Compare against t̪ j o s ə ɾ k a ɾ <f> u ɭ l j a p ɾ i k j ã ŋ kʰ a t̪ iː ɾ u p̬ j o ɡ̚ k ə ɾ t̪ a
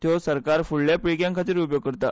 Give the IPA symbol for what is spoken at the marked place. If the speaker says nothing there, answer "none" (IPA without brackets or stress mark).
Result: f